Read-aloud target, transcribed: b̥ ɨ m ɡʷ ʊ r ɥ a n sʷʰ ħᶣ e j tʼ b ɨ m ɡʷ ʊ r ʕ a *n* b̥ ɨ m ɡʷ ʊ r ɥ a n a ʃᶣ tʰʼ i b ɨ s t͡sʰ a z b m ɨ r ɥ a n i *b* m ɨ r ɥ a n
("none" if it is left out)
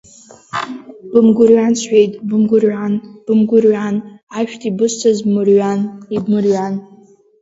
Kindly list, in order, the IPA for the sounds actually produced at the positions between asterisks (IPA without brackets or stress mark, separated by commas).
n, b